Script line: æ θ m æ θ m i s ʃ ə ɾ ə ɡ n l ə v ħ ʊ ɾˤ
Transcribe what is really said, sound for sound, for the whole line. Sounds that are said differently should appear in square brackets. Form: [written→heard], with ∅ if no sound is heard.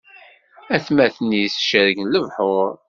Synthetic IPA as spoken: æ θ m æ θ [m→n] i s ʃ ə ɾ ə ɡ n l ə v ħ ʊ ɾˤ